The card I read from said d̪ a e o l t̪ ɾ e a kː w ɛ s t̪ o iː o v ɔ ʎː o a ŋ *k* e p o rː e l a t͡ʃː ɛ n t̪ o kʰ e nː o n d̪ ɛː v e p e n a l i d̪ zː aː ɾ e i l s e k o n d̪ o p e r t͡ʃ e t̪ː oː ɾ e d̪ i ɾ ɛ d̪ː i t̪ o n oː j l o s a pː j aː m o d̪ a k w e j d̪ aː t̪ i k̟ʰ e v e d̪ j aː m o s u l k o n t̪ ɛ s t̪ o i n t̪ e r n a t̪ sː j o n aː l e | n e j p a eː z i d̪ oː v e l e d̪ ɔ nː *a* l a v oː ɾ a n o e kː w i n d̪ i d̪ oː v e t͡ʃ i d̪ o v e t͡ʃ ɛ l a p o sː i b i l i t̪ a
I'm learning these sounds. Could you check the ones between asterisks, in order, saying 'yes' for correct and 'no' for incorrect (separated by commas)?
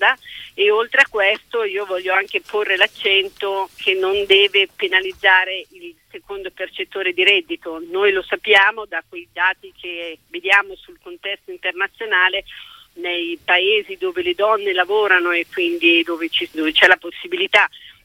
yes, no